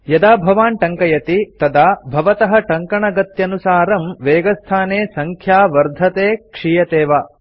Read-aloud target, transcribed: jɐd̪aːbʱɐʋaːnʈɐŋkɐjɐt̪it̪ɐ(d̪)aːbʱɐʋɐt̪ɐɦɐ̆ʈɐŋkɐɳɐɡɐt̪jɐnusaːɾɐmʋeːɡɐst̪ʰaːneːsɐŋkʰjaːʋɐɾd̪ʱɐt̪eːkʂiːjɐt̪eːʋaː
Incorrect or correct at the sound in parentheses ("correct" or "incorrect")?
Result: correct